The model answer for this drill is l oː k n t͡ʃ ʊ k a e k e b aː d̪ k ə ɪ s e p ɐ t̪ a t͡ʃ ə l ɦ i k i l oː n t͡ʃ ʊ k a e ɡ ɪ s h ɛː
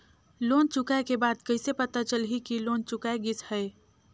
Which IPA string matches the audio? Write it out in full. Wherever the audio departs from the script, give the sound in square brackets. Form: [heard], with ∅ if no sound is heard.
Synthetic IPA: l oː [∅] n t͡ʃ ʊ k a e k e b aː d̪ k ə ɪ s e p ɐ t̪ a t͡ʃ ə l ɦ i k i l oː n t͡ʃ ʊ k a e ɡ ɪ s h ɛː

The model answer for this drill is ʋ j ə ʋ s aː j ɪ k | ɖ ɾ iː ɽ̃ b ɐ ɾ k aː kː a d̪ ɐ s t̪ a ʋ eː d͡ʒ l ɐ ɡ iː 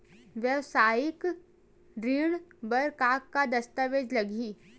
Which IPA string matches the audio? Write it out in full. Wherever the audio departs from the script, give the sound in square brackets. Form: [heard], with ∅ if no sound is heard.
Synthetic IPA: ʋ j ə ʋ s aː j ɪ k | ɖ ɾ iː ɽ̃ b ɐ ɾ k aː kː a d̪ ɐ s t̪ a ʋ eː d͡ʒ l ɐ ɡ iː

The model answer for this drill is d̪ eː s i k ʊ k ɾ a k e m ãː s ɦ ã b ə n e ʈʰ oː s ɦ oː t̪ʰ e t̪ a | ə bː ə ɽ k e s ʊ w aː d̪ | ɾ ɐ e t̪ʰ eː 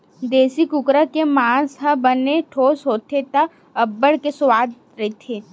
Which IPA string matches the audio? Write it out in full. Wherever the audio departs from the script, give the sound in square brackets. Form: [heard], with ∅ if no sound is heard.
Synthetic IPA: d̪ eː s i k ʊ k ɾ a k e m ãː s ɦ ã b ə n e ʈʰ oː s ɦ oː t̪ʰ e t̪ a | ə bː ə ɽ k e s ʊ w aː d̪ | ɾ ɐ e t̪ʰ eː

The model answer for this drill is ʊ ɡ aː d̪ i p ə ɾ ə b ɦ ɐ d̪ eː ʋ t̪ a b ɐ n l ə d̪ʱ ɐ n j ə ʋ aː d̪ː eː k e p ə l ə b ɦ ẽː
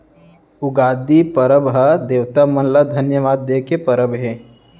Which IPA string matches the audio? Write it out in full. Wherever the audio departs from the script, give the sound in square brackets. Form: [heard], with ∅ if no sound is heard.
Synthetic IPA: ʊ ɡ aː d̪ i p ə ɾ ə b ɦ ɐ d̪ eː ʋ t̪ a [m] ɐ n l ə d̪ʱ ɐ n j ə ʋ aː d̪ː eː k e p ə [ɾ] ə b ɦ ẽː

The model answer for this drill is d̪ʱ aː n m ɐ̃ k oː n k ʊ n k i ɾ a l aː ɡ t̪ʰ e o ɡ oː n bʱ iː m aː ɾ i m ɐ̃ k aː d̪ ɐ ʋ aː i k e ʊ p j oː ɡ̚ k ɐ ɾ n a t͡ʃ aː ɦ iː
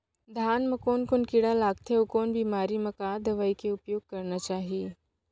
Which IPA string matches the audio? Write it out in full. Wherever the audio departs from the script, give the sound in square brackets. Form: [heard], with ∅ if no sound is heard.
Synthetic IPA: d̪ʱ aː n m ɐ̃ k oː n k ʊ n k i [ɽ] a l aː ɡ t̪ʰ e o [k] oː n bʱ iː m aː ɾ i m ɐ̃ k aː d̪ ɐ ʋ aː i k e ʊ p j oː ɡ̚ k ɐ ɾ n a t͡ʃ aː ɦ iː

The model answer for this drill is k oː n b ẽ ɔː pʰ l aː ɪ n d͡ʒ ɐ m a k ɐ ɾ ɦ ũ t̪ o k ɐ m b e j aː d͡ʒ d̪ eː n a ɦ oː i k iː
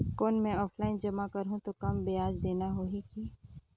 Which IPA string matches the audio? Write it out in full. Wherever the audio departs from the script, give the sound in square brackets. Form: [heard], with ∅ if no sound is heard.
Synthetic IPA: k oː n [m] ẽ ɔː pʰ l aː ɪ n d͡ʒ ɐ m a k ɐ ɾ ɦ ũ t̪ o k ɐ m b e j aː d͡ʒ d̪ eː n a ɦ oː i k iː

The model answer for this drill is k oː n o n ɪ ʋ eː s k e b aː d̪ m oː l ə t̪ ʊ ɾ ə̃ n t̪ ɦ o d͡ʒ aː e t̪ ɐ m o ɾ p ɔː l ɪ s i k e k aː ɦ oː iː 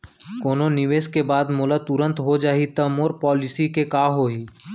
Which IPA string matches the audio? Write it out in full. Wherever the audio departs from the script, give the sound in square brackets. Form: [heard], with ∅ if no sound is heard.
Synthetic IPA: k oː n o n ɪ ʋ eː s k e b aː d̪ m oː l ə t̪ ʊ ɾ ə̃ n t̪ ɦ o d͡ʒ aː [i] t̪ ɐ m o ɾ p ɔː l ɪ s i k e k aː ɦ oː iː

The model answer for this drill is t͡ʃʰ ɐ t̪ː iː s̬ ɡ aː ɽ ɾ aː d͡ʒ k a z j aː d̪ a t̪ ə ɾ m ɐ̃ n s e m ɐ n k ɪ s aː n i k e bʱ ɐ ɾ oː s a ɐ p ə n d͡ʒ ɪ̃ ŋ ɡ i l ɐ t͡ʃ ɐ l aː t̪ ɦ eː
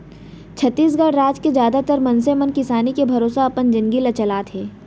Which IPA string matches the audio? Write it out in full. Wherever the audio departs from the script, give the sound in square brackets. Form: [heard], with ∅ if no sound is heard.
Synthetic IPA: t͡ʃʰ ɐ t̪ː iː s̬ ɡ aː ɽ ɾ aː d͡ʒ k [e] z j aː d̪ a t̪ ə ɾ m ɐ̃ n s e m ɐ n k ɪ s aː n i k e bʱ ɐ ɾ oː s a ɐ p ə n d͡ʒ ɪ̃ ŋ ɡ i l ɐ t͡ʃ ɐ l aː t̪ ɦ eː

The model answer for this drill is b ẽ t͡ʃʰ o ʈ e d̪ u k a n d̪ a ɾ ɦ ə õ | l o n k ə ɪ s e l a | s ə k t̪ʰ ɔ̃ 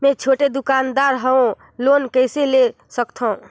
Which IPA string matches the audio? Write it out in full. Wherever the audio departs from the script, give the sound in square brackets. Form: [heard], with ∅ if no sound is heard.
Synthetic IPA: [m] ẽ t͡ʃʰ o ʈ e d̪ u k a n d̪ a ɾ ɦ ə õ | l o n k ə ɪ s e l [e] | s ə k t̪ʰ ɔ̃

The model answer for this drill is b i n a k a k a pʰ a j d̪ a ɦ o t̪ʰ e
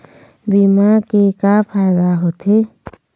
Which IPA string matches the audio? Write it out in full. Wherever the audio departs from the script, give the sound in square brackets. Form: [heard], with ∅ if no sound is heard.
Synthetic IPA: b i [m] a k [e] k a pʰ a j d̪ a ɦ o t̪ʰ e

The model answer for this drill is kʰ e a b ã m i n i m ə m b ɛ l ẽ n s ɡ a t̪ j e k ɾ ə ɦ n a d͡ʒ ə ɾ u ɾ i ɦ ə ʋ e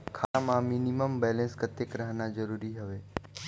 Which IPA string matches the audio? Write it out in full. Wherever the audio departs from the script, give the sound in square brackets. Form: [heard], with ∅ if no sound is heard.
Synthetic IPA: kʰ [a] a [m] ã m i n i m ə m b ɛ l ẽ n s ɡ [ə] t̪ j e k ɾ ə ɦ n a d͡ʒ ə ɾ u ɾ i ɦ ə ʋ e

